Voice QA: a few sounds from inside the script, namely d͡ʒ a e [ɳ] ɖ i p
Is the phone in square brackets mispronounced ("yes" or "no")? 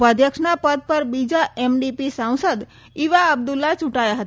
yes